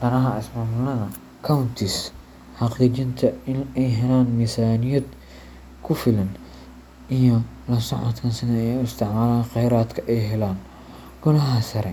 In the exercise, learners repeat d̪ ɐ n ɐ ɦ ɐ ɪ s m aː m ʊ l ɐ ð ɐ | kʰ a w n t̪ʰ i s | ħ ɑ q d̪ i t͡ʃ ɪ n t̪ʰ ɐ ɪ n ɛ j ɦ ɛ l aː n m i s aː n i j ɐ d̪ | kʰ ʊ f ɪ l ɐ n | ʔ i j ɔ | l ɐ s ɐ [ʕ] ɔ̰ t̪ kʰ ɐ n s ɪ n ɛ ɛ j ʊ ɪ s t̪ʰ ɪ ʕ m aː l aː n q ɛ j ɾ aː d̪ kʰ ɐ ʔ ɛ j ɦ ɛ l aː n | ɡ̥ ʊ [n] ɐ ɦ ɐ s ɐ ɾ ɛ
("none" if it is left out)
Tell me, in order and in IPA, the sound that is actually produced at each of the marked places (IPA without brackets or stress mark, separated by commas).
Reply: ʕ, n